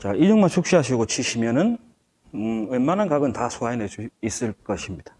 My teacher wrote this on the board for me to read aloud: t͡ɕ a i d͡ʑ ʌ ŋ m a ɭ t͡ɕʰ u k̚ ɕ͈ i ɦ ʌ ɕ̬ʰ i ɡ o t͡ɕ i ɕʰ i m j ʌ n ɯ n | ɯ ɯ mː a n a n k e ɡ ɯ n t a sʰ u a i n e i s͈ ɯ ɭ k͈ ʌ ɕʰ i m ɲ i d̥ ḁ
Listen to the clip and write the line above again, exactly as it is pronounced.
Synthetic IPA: t͡ɕ a i d͡ʑ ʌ ŋ m a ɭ t͡ɕʰ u k̚ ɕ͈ i ɦ a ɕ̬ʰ i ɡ o t͡ɕʰ i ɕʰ i m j ʌ n ɯ n | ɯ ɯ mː a n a n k a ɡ ɯ n t a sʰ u a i n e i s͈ ɯ ɭ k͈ ʌ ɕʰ i m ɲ i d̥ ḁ